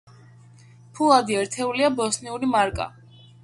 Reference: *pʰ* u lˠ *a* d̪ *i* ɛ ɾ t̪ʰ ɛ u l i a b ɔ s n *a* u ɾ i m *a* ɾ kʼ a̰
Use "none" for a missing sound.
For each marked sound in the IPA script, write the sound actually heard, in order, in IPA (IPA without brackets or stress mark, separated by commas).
pʰ, a, i, i, a